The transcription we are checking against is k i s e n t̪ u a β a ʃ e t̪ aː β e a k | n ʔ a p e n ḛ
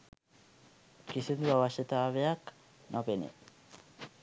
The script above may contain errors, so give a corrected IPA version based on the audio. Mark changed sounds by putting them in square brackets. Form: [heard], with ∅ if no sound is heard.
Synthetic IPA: k i s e n [d̪] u a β a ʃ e t̪ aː β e a k | n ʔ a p e n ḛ

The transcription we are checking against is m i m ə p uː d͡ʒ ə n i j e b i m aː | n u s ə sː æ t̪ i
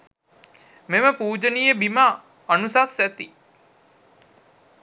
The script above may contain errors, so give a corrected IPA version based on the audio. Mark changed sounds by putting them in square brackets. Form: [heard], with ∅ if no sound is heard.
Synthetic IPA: m [e] m ə p uː d͡ʒ ə n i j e b i m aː | n u s [a] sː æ t̪ i

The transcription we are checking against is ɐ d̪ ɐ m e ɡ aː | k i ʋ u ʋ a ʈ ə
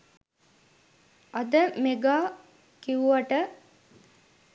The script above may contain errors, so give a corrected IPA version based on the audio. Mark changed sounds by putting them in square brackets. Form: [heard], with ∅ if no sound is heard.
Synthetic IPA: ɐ d̪ [ə] m e ɡ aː | k i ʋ u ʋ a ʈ ə

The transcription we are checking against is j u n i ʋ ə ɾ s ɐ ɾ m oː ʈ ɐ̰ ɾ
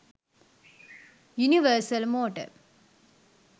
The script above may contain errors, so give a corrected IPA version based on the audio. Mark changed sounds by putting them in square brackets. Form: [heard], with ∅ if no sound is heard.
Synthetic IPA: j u n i ʋ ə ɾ s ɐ [l] m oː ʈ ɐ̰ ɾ

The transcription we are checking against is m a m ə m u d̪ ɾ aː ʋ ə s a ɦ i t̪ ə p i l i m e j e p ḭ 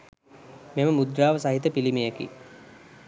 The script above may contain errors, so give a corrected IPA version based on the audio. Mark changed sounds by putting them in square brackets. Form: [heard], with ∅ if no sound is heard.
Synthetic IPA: m [e] m ə m u d̪ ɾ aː ʋ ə s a ɦ i t̪ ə p i l i m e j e [k] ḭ

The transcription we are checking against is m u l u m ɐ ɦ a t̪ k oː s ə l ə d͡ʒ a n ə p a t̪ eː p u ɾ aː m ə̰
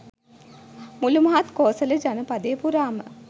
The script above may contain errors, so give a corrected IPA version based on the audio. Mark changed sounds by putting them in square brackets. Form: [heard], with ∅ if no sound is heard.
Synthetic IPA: m u l u m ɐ ɦ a t̪ k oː s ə l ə d͡ʒ a n ə p a [d̪] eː p u ɾ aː m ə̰

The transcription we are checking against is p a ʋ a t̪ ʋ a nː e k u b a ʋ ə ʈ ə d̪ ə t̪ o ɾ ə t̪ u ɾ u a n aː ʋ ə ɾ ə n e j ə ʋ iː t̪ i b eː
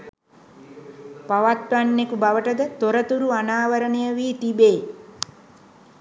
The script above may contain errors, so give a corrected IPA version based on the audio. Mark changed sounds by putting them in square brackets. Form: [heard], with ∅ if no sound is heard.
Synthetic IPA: p a ʋ a t̪ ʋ a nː e k u b a ʋ ə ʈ ə d̪ ə t̪ o ɾ ə t̪ u ɾ u a n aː ʋ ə ɾ ə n e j ə ʋ iː t̪ i b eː

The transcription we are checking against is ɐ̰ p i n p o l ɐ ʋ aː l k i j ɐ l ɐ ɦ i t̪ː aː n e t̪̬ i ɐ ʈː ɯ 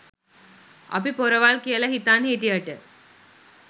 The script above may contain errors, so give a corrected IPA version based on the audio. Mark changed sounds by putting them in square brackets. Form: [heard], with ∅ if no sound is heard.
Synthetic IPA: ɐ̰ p i [∅] p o [ɾ] ɐ ʋ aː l k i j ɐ l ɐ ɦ i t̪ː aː n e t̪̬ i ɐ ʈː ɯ

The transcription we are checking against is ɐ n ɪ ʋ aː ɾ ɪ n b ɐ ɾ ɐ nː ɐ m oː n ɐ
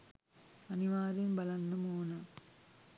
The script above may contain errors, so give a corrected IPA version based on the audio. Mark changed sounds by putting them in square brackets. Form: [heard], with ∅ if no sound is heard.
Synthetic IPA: ɐ n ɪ ʋ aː ɾ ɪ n b ɐ [l] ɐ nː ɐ m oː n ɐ

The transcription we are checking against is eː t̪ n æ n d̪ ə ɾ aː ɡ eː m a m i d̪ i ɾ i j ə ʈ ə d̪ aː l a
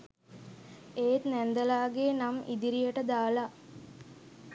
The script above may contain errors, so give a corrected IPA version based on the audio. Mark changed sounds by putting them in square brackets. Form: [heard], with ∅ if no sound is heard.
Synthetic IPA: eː t̪ n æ n d̪ ə [l] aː ɡ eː [n] a m i d̪ i ɾ i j ə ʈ ə d̪ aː l a

